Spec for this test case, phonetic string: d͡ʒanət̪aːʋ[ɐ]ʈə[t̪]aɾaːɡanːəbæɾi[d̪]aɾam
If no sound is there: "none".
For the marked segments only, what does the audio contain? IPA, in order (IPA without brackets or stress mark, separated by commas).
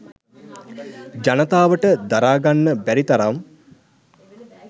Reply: ə, d̪, t̪